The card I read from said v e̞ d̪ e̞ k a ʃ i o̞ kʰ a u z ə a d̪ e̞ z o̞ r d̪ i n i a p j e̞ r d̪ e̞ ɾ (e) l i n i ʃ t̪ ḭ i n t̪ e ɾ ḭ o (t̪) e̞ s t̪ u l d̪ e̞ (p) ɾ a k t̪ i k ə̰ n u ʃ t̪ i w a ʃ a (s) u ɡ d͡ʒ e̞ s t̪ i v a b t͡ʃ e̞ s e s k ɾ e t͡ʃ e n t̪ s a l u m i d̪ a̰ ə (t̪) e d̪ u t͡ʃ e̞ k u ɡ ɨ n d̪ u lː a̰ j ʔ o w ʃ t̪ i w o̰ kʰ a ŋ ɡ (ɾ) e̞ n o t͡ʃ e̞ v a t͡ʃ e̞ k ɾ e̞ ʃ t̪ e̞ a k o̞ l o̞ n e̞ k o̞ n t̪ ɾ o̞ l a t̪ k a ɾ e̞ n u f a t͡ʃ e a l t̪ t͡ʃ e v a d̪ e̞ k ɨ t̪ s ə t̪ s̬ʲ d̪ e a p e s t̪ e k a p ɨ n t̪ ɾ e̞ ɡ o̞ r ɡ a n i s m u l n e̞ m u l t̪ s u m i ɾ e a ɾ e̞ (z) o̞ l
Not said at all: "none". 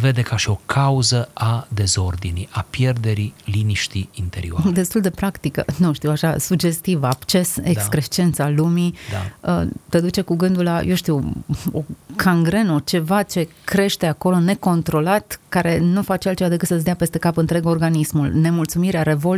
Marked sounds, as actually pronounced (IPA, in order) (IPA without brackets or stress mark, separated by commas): i, d̪, p, s, t̪, ɾ, v